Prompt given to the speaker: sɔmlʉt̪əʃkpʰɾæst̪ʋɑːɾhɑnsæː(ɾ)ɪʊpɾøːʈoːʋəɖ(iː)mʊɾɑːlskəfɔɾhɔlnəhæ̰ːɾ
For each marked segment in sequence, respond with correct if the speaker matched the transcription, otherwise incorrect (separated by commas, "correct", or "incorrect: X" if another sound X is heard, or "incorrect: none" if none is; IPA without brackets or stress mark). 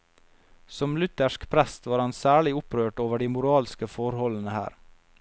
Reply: incorrect: ɭ, correct